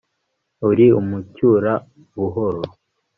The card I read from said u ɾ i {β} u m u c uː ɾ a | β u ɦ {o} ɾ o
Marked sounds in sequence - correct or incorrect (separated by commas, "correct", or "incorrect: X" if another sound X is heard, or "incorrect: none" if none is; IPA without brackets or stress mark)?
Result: incorrect: none, correct